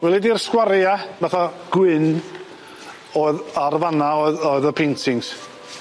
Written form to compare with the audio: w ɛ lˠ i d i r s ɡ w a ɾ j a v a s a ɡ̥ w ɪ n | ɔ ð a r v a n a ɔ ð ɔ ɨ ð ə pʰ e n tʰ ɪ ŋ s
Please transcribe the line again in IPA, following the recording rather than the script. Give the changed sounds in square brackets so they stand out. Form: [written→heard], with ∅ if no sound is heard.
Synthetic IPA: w ɛ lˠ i d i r s [ɡ→k] w a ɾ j a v a [s→θ] a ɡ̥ w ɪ n | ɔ ð a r v a n a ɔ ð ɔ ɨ ð ə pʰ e n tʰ ɪ ŋ s